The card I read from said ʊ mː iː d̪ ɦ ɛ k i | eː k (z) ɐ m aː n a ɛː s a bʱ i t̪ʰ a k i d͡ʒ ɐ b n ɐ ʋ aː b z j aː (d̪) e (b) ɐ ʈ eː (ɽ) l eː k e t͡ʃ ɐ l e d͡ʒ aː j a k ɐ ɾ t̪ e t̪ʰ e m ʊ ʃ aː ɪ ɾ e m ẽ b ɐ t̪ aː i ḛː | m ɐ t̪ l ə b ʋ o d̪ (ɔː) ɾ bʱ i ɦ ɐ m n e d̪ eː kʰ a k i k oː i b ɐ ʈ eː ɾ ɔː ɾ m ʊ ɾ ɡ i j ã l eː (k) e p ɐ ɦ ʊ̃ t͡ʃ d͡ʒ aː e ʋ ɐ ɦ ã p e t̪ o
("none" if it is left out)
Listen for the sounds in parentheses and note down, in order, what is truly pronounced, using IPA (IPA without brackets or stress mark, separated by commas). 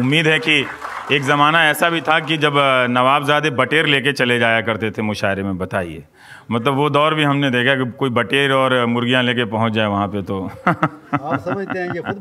z, d̪, b, ɾ, ɔː, k